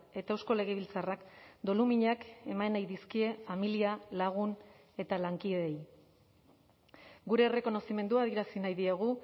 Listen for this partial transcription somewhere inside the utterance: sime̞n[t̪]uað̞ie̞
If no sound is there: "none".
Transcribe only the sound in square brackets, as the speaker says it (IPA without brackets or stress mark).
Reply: d̪